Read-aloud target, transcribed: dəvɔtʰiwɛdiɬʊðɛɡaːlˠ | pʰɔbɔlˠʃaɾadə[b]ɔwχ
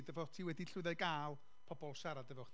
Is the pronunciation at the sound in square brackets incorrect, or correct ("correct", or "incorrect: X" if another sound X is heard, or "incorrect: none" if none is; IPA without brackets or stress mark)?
incorrect: v